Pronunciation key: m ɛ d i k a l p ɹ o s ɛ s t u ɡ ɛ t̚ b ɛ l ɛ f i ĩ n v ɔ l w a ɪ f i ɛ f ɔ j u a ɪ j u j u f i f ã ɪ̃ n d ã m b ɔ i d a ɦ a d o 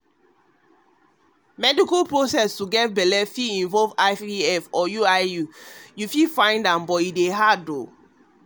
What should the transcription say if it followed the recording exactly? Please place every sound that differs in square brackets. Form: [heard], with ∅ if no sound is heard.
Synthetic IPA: m ɛ d i k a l p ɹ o s ɛ s t u ɡ ɛ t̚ b ɛ l ɛ f i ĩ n v ɔ l [v] a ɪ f i ɛ f ɔ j u a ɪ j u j u f i f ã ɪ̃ n d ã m b ɔ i d [e] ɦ a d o